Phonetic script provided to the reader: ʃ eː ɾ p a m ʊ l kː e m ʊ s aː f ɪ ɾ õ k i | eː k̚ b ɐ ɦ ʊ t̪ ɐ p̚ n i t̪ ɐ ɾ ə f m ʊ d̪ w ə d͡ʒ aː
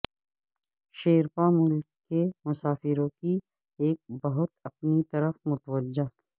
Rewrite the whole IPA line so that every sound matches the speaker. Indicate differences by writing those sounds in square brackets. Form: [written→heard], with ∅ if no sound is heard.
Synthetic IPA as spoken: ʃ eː ɾ p a m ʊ l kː e m ʊ s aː f ɪ ɾ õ k i | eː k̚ b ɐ ɦ ʊ t̪ ɐ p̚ n i t̪ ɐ ɾ ə f m ʊ [d̪→t̪] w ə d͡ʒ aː